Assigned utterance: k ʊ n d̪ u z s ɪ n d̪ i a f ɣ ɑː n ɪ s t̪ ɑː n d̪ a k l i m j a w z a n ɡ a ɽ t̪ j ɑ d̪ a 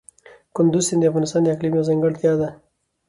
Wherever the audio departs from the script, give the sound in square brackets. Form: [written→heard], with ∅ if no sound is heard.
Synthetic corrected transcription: k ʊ n d̪ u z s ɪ n d̪ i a f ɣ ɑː n ɪ s t̪ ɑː n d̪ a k l i m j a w z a [n→ŋ] ɡ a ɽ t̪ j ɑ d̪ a